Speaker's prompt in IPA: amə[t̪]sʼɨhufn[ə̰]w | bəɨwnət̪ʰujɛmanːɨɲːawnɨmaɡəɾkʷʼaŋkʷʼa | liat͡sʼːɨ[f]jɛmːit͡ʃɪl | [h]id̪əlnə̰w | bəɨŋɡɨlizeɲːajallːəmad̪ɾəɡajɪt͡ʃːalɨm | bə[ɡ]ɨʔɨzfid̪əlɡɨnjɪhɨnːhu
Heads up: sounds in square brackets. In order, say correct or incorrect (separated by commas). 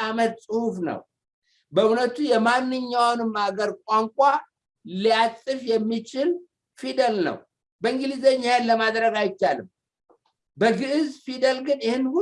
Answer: correct, correct, correct, incorrect, correct